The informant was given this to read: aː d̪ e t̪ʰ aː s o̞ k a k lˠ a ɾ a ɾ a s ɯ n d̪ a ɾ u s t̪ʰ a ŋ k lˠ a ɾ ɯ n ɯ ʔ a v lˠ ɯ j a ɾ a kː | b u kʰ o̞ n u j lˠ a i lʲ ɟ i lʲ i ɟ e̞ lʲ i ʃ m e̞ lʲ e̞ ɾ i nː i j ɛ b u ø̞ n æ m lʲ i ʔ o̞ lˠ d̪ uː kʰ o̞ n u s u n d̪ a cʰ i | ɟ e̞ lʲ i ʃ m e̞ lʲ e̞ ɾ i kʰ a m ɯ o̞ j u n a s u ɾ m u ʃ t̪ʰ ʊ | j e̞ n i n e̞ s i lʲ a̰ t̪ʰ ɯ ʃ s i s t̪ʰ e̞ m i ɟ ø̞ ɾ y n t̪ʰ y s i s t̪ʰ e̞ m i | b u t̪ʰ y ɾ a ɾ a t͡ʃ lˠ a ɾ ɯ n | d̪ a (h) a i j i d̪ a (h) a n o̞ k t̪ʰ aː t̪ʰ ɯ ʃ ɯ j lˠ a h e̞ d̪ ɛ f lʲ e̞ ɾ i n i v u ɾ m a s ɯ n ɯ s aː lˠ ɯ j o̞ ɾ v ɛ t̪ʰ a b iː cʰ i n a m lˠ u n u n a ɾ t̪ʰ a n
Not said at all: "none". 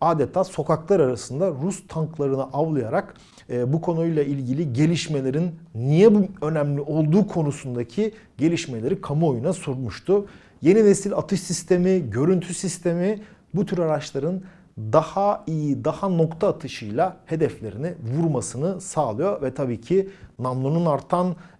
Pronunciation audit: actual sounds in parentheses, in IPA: h, h

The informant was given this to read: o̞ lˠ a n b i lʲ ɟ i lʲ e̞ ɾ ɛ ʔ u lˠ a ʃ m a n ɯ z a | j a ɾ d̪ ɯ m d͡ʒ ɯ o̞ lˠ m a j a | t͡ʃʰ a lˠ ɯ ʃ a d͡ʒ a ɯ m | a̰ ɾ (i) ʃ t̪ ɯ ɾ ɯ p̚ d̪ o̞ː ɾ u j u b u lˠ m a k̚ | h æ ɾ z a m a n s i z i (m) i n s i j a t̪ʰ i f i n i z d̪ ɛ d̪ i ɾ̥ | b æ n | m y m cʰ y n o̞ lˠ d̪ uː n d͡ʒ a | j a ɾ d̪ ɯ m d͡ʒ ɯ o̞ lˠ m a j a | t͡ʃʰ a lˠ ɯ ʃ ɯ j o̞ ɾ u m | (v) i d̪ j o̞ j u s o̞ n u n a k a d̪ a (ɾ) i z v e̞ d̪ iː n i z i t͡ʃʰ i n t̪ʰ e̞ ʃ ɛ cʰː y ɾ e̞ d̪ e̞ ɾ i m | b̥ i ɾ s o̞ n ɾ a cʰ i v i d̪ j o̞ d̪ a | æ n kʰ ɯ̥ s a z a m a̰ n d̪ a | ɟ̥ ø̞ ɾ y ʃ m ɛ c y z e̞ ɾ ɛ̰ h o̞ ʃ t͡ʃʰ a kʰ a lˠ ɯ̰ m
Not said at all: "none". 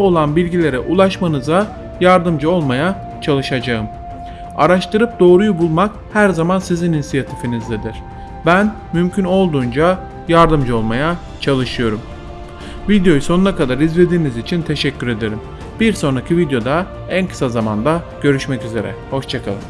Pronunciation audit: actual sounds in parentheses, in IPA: a, n, v, ɾ

